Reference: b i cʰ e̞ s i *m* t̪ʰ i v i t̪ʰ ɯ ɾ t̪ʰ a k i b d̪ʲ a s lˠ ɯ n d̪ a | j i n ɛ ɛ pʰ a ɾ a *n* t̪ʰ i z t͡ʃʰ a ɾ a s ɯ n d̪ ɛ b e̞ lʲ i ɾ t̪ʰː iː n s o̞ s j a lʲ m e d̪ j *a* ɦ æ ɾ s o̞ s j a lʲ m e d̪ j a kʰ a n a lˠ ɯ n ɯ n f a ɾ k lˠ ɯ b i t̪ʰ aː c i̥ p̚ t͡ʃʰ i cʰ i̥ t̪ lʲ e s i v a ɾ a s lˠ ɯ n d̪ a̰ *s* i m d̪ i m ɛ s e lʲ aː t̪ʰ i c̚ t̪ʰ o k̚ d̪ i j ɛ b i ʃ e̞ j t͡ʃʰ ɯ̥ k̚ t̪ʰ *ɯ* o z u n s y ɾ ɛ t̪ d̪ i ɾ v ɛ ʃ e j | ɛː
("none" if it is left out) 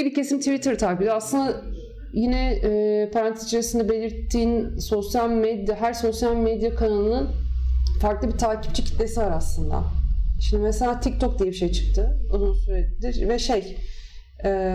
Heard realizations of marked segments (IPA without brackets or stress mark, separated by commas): m, n, a, ʃ, ɯ